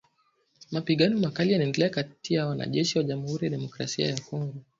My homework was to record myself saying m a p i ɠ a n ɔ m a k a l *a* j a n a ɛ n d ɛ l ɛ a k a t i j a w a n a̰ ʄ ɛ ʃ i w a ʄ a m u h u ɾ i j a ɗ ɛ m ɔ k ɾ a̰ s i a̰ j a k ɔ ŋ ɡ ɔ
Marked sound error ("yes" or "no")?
yes